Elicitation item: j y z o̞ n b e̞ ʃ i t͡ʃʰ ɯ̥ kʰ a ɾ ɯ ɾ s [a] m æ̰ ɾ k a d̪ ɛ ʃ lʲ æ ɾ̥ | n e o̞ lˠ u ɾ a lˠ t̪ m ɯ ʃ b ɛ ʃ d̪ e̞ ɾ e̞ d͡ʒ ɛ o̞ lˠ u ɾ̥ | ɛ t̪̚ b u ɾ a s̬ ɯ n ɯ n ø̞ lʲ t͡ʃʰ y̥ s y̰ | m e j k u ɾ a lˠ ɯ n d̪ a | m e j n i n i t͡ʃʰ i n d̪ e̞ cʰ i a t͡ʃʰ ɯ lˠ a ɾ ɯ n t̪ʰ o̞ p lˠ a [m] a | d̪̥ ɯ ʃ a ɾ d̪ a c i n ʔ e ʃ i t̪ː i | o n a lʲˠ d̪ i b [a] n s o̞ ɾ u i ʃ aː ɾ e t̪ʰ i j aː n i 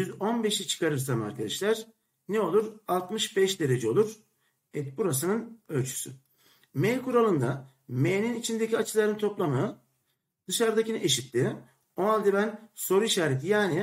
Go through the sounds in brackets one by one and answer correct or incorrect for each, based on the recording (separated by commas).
correct, correct, incorrect